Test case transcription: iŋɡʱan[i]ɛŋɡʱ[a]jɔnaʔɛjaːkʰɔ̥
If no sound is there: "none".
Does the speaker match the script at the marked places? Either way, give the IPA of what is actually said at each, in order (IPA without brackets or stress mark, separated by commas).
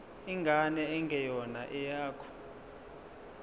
ɛ, ɛ